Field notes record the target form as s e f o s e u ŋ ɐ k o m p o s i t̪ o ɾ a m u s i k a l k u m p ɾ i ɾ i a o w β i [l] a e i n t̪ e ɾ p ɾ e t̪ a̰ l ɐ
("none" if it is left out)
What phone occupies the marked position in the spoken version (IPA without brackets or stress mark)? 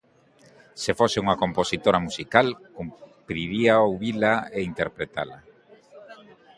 l